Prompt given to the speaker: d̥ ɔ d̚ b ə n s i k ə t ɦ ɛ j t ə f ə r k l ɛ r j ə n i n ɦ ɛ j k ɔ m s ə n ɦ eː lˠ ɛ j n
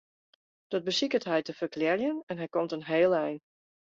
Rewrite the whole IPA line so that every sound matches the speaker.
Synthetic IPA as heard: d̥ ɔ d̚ b ə s i k ə t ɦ ɛ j t ə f ə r k l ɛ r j ə n ɛ n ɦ ɛ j k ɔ m t ə n ɦ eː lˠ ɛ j n